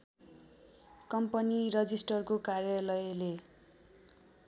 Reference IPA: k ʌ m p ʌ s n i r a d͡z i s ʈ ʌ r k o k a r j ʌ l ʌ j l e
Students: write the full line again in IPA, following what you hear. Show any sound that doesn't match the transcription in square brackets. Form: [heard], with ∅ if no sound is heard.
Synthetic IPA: k ʌ m p ʌ [∅] n i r [ʌ] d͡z i s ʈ ʌ r k o k a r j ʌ l ʌ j l e